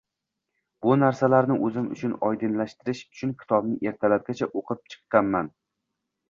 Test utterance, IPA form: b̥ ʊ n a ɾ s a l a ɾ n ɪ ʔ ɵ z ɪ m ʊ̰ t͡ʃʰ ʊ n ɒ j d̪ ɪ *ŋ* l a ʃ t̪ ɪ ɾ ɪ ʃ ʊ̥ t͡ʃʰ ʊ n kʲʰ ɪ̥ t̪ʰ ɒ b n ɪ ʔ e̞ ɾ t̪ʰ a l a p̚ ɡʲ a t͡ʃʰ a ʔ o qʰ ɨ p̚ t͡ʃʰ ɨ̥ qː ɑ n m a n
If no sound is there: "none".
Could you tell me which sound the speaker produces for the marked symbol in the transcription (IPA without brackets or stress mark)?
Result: n